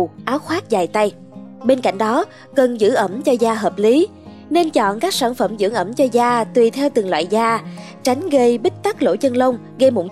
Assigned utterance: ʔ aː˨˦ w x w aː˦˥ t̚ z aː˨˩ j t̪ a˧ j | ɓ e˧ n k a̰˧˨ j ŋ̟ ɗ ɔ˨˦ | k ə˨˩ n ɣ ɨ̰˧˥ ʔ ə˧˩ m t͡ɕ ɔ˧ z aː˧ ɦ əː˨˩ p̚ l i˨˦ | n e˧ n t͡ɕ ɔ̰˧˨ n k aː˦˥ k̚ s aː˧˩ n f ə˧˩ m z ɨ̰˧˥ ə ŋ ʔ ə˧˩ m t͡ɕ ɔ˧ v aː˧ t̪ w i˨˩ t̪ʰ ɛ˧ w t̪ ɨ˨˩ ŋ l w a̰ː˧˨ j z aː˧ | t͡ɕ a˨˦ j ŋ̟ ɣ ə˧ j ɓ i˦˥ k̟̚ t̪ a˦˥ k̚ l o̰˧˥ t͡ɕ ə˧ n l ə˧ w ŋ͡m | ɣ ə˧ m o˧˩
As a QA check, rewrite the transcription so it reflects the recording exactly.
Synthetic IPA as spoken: ʔ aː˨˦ w x w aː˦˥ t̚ z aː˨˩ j t̪ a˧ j | ɓ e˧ n k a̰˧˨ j ŋ̟ ɗ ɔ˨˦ | k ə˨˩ n z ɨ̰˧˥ ʔ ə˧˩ m t͡ɕ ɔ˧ z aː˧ ɦ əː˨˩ p̚ l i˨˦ | n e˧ n t͡ɕ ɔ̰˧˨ n k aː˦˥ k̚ s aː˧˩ n f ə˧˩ m z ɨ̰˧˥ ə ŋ ʔ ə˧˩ m t͡ɕ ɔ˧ z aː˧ t̪ w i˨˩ t̪ʰ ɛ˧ w t̪ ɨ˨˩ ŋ l w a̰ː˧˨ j z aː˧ | t͡ɕ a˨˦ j ŋ̟ ɣ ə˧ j ɓ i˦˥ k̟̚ t̪ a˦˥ k̚ l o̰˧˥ t͡ɕ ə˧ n l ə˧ w ŋ͡m | ɣ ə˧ m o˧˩